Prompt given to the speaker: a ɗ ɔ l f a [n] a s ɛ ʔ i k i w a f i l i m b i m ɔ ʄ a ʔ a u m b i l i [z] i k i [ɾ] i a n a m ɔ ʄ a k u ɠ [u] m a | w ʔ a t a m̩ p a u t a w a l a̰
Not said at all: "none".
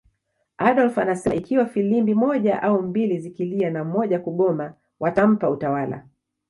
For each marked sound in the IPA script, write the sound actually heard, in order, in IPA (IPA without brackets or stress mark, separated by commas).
n, z, l, ɔ